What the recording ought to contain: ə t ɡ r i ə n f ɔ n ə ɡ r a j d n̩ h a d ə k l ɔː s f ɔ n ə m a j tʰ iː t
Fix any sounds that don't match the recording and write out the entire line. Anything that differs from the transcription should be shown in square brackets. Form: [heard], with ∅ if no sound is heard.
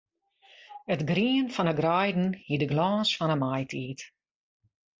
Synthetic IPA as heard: ə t ɡ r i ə n f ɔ n ə ɡ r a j d n̩ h [i] d ə [ɡ] l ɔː s f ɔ n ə m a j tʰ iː t